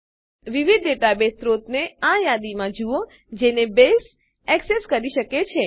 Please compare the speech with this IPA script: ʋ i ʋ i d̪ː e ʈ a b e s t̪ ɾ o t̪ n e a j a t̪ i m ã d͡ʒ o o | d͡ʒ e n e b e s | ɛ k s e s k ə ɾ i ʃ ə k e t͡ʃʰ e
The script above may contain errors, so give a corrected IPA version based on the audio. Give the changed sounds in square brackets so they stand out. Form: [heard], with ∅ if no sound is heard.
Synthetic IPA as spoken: ʋ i ʋ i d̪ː e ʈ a b e s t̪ ɾ o t̪ n e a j a [d̪] i m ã d͡ʒ [u] o | d͡ʒ e n e b e s | ɛ k s e s k ə ɾ i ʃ ə k e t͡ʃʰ e